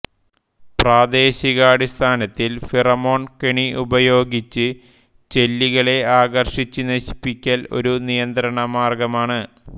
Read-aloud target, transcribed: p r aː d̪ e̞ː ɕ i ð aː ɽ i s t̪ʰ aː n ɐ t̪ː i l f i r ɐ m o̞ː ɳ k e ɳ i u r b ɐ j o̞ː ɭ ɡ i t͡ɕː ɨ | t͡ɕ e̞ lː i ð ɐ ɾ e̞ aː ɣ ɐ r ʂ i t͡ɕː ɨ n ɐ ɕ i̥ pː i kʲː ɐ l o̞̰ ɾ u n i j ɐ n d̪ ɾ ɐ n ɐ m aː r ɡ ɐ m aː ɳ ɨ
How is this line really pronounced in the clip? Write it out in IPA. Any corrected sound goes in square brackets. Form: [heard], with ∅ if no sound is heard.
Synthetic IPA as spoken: p r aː d̪ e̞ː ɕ i [ɣ] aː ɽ i s t̪ʰ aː n ɐ t̪ː i l f i r ɐ m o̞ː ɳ k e ɳ i u [∅] b ɐ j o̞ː [∅] ɡ i t͡ɕː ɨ | t͡ɕ e̞ lː i [ɣ] ɐ [ɭ] e̞ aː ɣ ɐ r ʂ i t͡ɕː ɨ n ɐ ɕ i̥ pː i kʲː ɐ l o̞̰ ɾ u n i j ɐ n d̪ ɾ ɐ [ɳ] ɐ m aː r ɡ ɐ m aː ɳ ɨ